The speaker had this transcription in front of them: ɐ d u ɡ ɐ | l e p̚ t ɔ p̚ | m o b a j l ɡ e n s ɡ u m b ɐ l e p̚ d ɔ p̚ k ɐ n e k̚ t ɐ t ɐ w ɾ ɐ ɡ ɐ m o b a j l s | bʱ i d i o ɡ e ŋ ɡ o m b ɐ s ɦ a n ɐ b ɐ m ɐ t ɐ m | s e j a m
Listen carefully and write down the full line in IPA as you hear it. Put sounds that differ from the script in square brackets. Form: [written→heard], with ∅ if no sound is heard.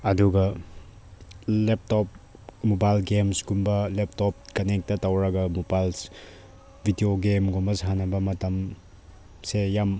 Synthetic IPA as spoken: ɐ d u ɡ ɐ | l e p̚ t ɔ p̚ | m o b a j l ɡ e [n→m] s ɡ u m b ɐ l e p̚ [d→t] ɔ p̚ k ɐ n e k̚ t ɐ t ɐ w ɾ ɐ ɡ ɐ m o b a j l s | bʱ i d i o ɡ e [ŋ→m] ɡ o m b ɐ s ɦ a n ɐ b ɐ m ɐ t ɐ m | s e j a m